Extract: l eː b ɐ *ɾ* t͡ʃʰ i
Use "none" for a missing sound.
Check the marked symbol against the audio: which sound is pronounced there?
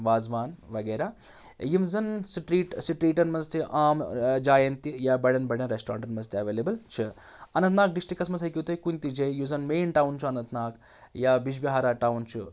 l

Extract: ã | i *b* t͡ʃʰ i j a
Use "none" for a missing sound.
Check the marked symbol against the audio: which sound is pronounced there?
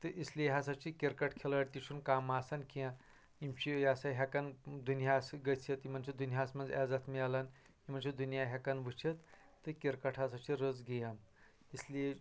m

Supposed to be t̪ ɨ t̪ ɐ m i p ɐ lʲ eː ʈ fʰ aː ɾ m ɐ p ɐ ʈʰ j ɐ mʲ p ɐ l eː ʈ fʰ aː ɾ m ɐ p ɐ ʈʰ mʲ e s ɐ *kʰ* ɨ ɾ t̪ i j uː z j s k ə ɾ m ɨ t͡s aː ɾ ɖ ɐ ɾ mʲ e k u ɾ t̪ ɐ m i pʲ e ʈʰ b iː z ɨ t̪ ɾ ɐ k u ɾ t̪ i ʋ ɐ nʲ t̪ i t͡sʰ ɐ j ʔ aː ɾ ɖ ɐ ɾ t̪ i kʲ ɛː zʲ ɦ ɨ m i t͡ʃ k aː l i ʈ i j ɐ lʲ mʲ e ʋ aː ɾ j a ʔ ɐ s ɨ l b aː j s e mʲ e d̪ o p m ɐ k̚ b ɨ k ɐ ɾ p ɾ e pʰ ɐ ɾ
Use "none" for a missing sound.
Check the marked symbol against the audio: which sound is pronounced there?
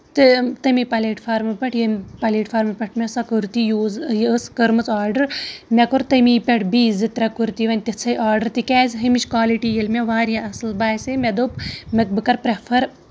k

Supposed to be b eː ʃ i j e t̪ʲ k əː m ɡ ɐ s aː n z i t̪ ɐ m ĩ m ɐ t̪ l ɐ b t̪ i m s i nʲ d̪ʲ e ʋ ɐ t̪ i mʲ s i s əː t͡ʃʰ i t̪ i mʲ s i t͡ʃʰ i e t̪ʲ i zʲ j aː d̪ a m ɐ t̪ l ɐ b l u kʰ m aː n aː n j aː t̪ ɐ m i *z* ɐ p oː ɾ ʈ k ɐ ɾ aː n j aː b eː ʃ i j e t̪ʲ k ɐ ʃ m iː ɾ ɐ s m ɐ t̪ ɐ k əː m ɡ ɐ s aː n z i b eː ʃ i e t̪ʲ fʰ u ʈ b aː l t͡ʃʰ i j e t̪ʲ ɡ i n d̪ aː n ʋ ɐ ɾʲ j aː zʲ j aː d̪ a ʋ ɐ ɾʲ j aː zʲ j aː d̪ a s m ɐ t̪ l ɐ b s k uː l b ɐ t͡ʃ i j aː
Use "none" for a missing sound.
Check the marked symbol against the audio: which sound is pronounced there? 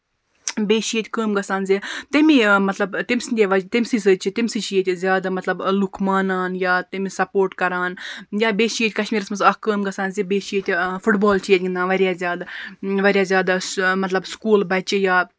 s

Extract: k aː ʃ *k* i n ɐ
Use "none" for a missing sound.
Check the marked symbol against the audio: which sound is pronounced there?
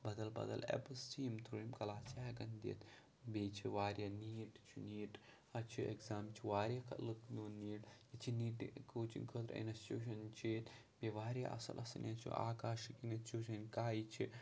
k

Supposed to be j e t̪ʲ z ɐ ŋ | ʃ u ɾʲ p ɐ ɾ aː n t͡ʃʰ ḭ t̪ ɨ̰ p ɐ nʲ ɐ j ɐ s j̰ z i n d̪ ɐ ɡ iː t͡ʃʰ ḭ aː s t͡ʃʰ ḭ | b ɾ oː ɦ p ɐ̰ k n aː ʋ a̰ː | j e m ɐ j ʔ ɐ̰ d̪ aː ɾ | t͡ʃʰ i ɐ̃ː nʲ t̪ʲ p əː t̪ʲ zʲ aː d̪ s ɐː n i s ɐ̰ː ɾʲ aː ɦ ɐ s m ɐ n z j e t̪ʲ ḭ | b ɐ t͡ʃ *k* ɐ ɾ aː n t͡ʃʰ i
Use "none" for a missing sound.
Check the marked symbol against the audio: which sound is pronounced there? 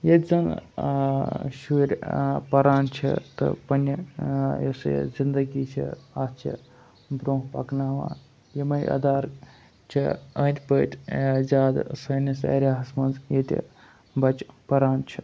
p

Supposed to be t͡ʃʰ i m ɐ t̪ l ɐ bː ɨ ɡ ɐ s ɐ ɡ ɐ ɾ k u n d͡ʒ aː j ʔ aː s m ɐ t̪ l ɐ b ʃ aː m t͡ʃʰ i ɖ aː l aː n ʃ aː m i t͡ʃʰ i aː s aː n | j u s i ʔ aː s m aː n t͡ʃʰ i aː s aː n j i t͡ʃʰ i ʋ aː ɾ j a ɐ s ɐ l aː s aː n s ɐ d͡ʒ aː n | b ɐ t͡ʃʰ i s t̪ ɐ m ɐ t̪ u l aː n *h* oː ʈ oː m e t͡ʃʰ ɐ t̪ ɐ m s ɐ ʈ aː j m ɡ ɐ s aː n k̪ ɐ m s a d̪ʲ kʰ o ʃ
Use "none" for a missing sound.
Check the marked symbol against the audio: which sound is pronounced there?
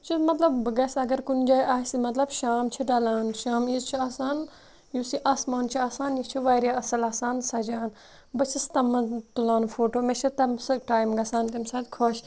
f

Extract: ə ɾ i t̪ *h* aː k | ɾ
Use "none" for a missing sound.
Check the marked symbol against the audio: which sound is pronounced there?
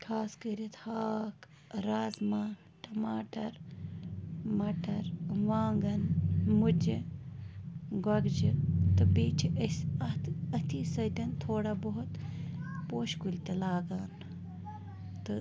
h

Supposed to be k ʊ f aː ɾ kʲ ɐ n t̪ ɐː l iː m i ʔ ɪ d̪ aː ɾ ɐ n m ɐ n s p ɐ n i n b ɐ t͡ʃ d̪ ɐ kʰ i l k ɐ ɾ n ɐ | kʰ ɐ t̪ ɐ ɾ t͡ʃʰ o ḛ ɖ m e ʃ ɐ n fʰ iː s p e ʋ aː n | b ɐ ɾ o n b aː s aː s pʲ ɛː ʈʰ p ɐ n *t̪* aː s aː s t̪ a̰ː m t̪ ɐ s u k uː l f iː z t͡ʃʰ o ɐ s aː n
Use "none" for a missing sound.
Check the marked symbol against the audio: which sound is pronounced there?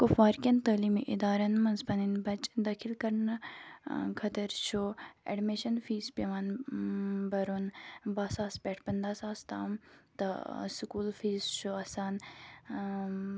d̪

